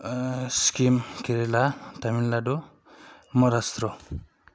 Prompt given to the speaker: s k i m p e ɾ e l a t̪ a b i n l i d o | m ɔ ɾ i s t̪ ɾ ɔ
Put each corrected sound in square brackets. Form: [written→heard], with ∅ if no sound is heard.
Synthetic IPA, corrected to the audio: s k i m [p→k] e ɾ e l a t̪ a [b→m] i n l [i→a] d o | m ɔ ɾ [i→a] s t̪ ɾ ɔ